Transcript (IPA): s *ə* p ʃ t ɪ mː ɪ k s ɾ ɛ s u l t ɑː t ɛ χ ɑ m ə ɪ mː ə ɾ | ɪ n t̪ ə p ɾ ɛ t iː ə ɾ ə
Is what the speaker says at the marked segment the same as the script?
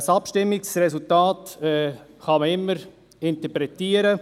no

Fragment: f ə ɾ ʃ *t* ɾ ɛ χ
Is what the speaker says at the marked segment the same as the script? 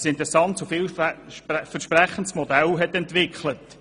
no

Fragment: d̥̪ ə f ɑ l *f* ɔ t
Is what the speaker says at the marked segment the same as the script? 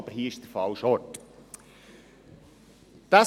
no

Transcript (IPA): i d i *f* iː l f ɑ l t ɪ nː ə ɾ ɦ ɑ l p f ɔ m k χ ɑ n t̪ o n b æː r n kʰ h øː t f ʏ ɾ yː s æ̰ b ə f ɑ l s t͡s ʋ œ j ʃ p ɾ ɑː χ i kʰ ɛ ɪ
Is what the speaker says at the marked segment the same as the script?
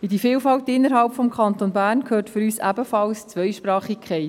yes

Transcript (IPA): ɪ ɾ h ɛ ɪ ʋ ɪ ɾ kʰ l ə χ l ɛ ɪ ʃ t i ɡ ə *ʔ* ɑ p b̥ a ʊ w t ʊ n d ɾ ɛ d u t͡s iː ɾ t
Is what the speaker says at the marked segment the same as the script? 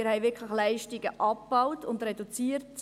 yes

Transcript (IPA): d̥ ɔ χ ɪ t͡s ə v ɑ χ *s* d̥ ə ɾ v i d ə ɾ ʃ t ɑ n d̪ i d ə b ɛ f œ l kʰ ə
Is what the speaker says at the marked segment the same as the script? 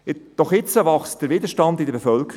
yes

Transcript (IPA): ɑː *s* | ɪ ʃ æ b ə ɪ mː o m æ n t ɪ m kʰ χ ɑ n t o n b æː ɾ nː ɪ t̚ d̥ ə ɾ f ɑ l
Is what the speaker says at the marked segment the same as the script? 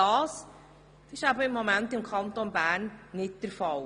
yes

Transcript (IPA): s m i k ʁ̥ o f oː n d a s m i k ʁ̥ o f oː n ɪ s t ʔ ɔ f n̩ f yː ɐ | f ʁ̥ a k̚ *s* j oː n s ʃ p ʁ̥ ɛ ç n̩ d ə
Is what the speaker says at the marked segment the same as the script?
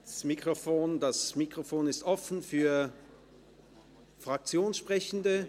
no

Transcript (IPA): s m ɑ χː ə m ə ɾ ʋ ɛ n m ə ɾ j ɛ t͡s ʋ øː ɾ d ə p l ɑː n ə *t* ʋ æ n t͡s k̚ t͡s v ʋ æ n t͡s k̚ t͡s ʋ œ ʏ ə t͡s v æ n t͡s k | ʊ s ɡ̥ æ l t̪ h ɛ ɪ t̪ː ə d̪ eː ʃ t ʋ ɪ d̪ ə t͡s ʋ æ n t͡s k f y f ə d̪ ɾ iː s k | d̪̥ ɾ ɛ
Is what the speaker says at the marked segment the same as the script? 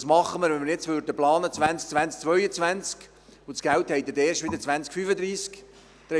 no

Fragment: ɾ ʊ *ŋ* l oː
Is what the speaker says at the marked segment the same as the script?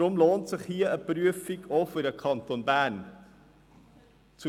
no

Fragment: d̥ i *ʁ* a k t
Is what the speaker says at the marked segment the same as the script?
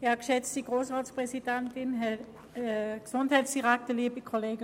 yes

